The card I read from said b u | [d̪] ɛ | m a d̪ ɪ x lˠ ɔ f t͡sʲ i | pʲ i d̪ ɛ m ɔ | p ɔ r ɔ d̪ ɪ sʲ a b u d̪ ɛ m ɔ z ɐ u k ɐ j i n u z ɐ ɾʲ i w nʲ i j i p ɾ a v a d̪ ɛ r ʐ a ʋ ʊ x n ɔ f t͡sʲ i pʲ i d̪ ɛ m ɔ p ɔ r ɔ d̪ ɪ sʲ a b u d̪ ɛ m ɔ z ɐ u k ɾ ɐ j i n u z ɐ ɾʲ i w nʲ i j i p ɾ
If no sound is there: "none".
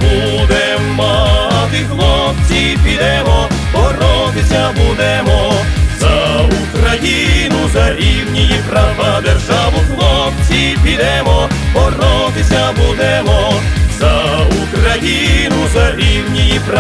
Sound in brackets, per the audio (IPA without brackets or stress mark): d̪